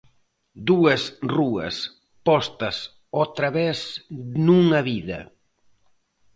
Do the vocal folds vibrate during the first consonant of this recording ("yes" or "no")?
yes